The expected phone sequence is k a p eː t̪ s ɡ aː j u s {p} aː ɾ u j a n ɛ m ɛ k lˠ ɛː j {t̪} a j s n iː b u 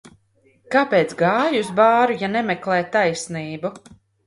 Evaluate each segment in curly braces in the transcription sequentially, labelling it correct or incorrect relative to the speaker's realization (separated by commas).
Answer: incorrect, correct